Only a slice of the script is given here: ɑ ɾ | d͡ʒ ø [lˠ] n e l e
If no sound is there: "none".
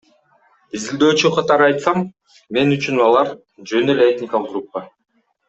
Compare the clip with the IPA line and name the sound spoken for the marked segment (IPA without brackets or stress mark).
none